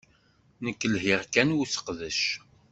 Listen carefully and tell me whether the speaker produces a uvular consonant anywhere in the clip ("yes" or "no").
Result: yes